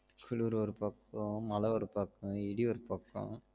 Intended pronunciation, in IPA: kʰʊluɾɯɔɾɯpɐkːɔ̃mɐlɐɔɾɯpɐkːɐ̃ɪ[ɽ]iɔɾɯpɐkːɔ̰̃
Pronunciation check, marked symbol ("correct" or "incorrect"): correct